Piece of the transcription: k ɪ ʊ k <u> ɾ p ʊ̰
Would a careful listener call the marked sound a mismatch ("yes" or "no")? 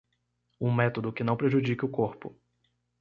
yes